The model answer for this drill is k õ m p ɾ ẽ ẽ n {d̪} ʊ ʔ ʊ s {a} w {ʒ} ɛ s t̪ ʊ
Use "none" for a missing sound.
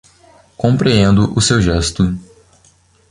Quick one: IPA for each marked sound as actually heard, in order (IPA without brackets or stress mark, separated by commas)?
d̪, e, ʒ